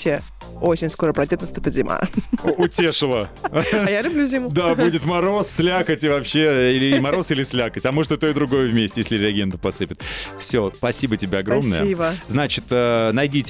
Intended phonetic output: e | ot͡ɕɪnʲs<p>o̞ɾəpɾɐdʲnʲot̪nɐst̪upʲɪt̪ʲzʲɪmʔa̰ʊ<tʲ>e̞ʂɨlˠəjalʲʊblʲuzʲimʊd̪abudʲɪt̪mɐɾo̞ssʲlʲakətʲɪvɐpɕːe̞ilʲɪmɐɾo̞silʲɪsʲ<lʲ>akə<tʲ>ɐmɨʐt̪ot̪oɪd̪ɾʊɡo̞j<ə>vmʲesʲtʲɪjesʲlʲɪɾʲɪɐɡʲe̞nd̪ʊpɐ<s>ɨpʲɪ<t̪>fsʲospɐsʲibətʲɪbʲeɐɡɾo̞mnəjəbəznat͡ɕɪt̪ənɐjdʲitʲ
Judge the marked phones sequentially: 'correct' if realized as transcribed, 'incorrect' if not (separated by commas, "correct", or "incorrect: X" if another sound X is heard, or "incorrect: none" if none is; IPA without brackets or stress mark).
incorrect: k, correct, correct, correct, correct, correct, correct